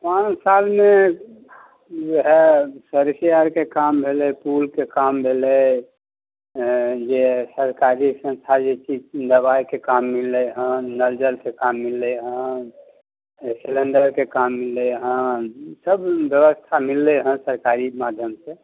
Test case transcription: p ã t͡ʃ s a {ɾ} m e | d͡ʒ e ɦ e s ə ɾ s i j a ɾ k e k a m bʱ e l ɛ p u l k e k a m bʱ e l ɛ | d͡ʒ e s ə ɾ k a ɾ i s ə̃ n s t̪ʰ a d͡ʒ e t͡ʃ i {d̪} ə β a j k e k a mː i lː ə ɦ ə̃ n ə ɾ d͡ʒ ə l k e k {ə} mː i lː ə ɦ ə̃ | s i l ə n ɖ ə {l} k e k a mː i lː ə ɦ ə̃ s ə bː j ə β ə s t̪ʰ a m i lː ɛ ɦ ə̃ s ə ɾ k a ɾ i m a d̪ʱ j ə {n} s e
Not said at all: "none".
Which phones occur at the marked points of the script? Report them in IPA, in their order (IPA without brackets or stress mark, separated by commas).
l, d̪, a, ɾ, m